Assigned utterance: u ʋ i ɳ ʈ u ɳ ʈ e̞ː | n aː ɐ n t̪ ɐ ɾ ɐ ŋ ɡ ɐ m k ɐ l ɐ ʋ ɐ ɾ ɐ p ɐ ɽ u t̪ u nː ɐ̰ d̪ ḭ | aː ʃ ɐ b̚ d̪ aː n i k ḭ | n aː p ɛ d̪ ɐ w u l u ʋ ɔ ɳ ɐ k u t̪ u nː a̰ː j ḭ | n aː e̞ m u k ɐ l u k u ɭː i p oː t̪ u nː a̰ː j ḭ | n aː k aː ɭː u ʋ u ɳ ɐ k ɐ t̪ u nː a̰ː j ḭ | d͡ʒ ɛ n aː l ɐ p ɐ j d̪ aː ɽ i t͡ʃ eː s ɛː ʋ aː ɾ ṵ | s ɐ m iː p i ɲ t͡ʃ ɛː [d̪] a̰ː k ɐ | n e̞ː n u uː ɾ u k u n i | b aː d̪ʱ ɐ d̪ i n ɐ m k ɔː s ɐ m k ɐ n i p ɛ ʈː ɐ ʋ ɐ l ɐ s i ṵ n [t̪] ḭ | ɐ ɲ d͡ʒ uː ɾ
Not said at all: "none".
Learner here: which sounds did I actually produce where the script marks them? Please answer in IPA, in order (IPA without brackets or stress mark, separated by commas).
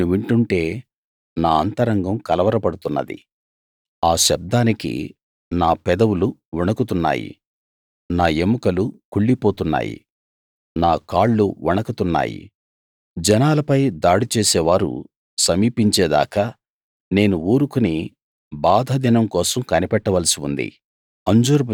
d̪, d̪